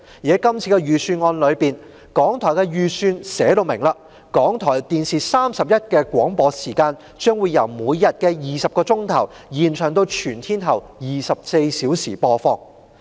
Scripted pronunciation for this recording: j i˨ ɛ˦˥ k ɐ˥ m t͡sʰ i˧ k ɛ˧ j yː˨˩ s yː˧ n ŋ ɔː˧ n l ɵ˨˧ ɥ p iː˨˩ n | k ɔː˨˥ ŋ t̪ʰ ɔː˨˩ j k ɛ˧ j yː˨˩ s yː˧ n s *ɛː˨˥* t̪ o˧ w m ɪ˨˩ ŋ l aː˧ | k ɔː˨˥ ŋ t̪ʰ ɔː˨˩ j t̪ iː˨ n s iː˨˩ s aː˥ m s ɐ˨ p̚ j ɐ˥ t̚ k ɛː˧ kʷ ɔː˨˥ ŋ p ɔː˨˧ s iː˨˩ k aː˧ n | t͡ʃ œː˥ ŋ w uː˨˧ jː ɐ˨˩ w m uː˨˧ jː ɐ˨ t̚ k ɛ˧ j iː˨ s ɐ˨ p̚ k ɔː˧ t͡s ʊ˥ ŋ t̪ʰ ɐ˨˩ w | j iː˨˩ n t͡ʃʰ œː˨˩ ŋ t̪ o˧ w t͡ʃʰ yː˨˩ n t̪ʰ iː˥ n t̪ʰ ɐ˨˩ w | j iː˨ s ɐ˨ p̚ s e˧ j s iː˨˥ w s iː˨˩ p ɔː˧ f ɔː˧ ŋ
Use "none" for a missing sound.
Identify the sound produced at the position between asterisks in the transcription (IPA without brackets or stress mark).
ɛː˨˥